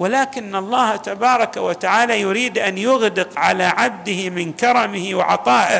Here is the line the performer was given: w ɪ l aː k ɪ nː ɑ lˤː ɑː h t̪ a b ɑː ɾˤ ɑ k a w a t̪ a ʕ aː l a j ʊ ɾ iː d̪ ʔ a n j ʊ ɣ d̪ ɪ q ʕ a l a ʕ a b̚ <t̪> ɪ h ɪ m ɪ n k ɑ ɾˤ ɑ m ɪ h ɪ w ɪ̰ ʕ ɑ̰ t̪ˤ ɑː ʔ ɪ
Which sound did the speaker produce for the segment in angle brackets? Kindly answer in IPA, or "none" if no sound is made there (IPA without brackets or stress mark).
d̪